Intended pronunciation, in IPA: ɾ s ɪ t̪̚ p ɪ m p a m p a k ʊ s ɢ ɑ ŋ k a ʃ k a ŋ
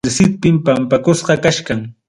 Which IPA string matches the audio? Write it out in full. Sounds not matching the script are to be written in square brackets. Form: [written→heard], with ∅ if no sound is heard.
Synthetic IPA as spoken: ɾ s ɪ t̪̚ p ɪ m p a m p a k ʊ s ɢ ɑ [ŋ→∅] k a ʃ k a ŋ